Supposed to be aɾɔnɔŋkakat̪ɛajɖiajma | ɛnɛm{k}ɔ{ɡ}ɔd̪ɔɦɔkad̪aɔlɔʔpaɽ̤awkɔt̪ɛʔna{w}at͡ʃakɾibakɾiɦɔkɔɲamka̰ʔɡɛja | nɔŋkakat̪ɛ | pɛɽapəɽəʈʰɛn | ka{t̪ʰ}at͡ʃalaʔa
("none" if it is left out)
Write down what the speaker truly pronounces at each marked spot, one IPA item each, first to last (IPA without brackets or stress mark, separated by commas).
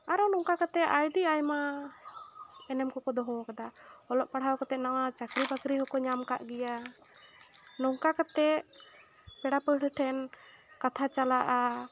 k, k, w, t̪ʰ